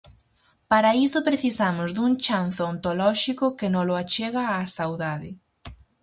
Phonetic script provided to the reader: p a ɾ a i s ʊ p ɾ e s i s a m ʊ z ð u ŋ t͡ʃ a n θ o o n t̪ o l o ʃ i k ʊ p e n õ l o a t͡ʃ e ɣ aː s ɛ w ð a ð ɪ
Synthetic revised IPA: p a ɾ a i s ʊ p ɾ e θ i s a m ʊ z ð u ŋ t͡ʃ a n θ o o n t̪ o l ɔ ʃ i k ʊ k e n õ l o a t͡ʃ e ɣ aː s a w ð a ð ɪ